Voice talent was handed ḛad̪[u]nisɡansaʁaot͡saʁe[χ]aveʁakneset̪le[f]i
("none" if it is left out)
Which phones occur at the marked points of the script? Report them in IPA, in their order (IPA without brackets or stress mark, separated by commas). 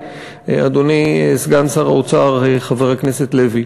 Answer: o, χ, v